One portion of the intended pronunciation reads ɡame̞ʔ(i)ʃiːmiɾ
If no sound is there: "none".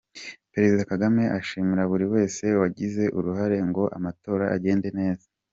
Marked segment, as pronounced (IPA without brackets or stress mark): a